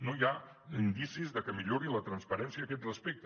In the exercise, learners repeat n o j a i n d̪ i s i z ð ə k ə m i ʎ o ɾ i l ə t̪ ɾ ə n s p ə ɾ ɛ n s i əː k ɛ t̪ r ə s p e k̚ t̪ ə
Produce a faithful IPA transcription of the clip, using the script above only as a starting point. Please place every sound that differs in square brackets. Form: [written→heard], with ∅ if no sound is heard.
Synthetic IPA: n o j a i n d̪ i s i z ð ə k ə m i ʎ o ɾ i l ə t̪ ɾ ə n s p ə ɾ ɛ n s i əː k ɛ t̪ r ə s p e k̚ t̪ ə

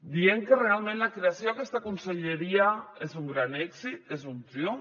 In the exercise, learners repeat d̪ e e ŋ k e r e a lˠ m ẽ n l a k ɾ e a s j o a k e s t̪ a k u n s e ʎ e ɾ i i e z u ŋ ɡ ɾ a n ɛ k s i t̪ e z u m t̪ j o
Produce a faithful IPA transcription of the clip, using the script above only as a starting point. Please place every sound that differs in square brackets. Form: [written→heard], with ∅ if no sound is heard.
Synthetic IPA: d̪ [e→i] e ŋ k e r e a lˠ m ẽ n l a k ɾ e a s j o a k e s t̪ a k u n s e ʎ e ɾ i [i→a] e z u ŋ ɡ ɾ a n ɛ k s i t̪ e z u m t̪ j o

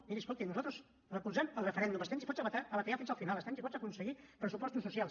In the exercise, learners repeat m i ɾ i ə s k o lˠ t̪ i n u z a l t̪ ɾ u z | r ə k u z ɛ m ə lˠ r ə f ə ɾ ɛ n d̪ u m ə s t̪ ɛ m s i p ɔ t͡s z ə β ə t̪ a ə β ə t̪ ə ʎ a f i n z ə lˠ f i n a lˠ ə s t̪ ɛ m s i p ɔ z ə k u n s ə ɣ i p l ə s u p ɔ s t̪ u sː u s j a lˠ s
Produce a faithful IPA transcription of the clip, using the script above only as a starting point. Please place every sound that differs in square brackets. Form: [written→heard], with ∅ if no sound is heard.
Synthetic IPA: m i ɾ i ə s k o lˠ t̪ i n u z a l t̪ ɾ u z | r ə k u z ɛ m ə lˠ r ə f ə ɾ ɛ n d̪ u m ə s t̪ ɛ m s i p ɔ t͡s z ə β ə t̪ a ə β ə t̪ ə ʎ a f i n z ə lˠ f i n a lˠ ə s t̪ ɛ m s i p ɔ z ə k u n s ə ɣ i p [l→ɾ] ə s u p ɔ s t̪ u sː u s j a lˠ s

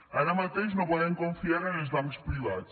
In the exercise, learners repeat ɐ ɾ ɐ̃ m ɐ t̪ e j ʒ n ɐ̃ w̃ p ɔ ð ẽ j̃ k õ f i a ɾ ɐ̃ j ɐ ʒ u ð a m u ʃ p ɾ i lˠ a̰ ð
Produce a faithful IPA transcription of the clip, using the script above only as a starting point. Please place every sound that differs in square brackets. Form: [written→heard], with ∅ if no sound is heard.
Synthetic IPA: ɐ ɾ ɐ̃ m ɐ t̪ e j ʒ n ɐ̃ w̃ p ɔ ð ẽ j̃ k õ f i a ɾ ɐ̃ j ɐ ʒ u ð a m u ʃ p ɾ i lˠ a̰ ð

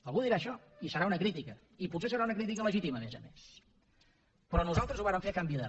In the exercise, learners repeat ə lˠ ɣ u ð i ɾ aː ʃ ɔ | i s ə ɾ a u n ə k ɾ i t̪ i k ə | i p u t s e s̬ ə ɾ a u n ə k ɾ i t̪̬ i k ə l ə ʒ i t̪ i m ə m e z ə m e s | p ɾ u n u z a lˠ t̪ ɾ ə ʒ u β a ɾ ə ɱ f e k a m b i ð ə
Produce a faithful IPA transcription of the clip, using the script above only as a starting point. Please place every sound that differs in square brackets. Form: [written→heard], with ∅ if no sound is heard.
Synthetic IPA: ə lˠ ɣ u ð i ɾ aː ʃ ɔ | i s ə ɾ a u n ə k ɾ i t̪ i k ə | i p u t s e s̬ ə ɾ a u n ə k ɾ i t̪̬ i k ə l ə ʒ i t̪ i m ə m e z ə m e s | p ɾ [u→ɔ] n u z a lˠ t̪ ɾ ə [ʒ→z] u β a ɾ ə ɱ f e k a m b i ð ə

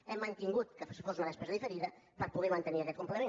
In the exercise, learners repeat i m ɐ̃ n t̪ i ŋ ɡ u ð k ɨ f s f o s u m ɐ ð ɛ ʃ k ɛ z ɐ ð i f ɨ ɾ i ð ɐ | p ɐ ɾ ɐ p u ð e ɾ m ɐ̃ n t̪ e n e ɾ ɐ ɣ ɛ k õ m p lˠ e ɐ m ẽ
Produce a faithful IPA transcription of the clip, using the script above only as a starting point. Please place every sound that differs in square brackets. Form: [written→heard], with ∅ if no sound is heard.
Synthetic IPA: [i→ɛ] m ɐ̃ n t̪ i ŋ ɡ u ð k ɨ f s f o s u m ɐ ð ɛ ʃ [k→p] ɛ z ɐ ð i f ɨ ɾ i ð ɐ | p ɐ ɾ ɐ p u ð e ɾ m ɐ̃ n t̪ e n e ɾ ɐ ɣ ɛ k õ m p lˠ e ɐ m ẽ

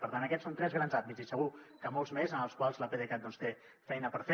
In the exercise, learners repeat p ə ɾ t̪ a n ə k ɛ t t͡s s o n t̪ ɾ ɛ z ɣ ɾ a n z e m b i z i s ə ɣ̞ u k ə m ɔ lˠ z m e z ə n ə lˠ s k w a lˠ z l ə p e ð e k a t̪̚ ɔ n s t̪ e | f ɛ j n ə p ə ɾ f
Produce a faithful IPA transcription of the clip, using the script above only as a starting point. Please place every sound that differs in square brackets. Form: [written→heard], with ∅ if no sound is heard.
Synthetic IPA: p ə ɾ t̪ a n ə k ɛ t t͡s s o n t̪ ɾ ɛ z ɣ ɾ a n z [e→a] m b i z i s ə ɣ̞ u k ə m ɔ lˠ z m e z ə n ə lˠ s k w a lˠ z l ə p e ð e k a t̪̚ ɔ n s t̪ e | f ɛ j n ə p ə ɾ f

